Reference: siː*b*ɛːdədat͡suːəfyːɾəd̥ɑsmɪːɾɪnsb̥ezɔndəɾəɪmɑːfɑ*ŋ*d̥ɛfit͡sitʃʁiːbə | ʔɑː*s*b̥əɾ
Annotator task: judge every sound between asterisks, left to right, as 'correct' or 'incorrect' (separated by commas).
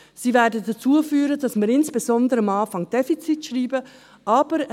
incorrect, correct, incorrect